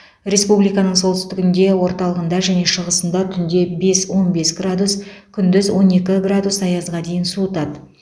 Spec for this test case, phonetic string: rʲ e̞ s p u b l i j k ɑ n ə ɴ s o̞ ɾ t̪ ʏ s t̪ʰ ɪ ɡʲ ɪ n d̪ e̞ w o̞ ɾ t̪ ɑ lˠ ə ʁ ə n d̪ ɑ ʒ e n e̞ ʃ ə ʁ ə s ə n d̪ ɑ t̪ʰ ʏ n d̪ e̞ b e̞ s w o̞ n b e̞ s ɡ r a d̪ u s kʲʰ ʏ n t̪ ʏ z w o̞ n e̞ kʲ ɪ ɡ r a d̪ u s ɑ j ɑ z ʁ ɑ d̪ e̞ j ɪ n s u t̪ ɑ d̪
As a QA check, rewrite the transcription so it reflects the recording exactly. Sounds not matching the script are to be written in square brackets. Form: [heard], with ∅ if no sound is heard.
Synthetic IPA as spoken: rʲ e̞ s p u b l i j k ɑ n ə ɴ s o̞ [l] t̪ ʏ s [t̪] ɪ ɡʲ ɪ n d̪ e̞ w o̞ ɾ t̪ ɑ lˠ ə ʁ ə n d̪ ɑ ʒ [æ] n e̞ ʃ ə ʁ ə s ə n d̪ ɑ t̪ʰ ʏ n d̪ e̞ b e̞ s w o̞ n b e̞ s ɡ r a d̪ u s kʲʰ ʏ n [d̪] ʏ z w o̞ n e̞ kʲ ɪ ɡ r a d̪ u s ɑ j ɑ z ʁ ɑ d̪ e̞ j ɪ n s u t̪ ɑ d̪

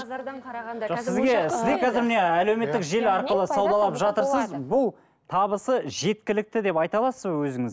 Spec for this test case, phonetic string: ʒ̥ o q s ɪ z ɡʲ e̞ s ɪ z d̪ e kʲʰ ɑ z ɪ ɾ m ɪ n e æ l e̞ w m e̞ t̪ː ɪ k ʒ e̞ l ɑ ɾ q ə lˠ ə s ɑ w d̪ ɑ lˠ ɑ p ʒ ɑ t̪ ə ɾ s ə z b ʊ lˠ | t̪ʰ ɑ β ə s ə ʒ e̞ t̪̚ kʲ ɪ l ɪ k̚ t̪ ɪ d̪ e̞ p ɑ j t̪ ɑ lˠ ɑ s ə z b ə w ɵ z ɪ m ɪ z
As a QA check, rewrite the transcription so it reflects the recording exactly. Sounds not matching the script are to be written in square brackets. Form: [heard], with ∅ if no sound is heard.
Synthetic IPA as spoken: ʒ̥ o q s ɪ z ɡʲ e̞ s ɪ z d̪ e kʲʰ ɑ z ɪ ɾ m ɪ n e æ l e̞ w m e̞ t̪ː ɪ k ʒ e̞ l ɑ ɾ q ə lˠ ə s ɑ w d̪ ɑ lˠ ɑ p ʒ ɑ t̪ ə ɾ s ə z b ʊ lˠ | t̪ʰ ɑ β ə s ə ʒ e̞ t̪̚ kʲ ɪ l ɪ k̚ t̪ ɪ d̪ e̞ p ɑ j t̪ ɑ lˠ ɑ s ə z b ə w ɵ z ɪ [ŋ] ɪ z

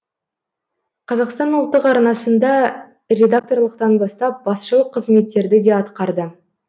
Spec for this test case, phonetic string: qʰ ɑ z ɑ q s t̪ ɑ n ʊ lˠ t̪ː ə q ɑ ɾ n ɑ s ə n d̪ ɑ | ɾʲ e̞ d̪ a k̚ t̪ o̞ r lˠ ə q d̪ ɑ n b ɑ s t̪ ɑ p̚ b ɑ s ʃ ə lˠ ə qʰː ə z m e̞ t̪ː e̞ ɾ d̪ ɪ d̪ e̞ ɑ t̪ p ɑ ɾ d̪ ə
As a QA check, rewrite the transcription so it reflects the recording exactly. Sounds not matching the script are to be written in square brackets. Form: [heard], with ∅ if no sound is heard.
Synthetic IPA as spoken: qʰ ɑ z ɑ q s t̪ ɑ n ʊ lˠ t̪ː ə q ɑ ɾ n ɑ s ə n d̪ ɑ | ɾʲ e̞ d̪ a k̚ t̪ o̞ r lˠ ə q [t̪] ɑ n b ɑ s t̪ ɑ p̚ b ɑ s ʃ ə lˠ ə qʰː ə z m e̞ t̪ː e̞ ɾ d̪ ɪ d̪ e̞ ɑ t̪ [q] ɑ ɾ d̪ ə

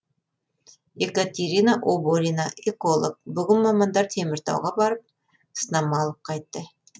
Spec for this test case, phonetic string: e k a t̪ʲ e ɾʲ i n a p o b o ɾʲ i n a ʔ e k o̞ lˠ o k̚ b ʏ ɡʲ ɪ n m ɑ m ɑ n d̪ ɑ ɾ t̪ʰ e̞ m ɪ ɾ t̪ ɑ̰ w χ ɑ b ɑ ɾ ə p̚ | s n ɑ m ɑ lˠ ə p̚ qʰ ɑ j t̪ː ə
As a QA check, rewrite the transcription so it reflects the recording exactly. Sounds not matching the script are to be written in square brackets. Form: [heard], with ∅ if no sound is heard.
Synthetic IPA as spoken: e k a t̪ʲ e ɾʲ i n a [ʔ] o b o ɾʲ i n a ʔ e k o̞ lˠ o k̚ b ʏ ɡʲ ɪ n m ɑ m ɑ n d̪ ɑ ɾ t̪ʰ e̞ m ɪ ɾ t̪ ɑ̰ w [ʁ] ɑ b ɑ ɾ ə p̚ | s n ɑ m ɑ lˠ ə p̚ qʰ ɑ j t̪ː ə

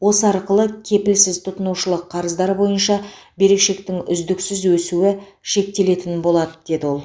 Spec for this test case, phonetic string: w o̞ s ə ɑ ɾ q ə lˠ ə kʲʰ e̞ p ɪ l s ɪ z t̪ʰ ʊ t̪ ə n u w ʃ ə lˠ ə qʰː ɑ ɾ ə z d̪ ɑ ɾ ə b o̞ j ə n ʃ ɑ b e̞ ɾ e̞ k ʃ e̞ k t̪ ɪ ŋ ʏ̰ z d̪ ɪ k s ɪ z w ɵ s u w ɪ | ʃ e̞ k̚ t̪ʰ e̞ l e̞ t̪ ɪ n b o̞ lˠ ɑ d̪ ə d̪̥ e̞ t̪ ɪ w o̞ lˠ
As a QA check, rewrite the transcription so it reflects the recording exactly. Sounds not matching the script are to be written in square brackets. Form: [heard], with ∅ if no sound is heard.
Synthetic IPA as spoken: w o̞ s ə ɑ ɾ q ə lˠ ə kʲʰ e̞ p ɪ l s ɪ z t̪ʰ ʊ t̪ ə n u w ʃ ə lˠ ə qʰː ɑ ɾ ə z d̪ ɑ ɾ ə b o̞ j ə n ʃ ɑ b e̞ ɾ e̞ k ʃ e̞ k t̪ ɪ ŋ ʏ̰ z d̪ ɪ k s ɪ z w ɵ s u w ɪ | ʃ e̞ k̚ [t̪] e̞ l e̞ t̪ ɪ n b o̞ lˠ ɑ d̪ ə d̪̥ e̞ [d̪] ɪ w o̞ lˠ

